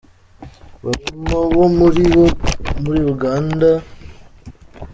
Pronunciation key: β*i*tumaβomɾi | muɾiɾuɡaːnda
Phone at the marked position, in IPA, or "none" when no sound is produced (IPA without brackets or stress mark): a